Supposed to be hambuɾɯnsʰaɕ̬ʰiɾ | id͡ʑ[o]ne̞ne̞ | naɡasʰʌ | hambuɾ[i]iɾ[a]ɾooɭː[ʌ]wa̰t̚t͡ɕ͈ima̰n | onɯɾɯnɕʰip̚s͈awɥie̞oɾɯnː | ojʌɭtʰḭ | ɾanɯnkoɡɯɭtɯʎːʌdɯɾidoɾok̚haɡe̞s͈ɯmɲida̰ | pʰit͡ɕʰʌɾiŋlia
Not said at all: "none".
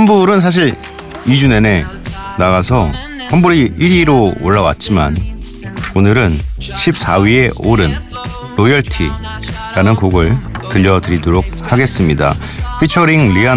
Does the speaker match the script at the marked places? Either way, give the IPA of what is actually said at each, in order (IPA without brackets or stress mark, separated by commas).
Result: u, i, i, a